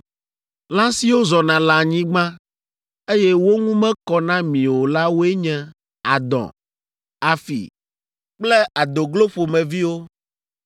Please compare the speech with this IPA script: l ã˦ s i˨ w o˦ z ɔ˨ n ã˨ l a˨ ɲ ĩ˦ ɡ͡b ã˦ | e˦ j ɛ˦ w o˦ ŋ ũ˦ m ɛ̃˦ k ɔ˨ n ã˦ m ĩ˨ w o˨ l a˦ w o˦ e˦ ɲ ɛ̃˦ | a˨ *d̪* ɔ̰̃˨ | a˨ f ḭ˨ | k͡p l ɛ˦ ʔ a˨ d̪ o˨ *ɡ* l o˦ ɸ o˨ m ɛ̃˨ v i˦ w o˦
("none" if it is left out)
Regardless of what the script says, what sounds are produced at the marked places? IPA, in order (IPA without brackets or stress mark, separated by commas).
d̪, ɡ